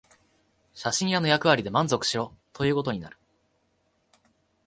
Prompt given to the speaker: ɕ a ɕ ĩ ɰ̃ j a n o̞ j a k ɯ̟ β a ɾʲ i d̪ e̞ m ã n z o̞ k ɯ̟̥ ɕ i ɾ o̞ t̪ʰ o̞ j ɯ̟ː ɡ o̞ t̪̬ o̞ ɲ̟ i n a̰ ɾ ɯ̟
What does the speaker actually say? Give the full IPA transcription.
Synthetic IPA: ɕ a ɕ ĩ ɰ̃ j a n o̞ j a k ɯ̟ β a ɾʲ i d̪ e̞ m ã n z o̞ k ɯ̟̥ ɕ i ɾ o̞ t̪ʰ o̞ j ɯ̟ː k o̞ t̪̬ o̞ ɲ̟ i n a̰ ɾ ɯ̟